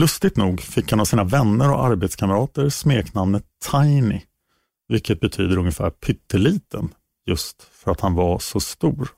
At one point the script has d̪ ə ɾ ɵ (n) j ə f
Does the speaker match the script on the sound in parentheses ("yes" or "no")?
no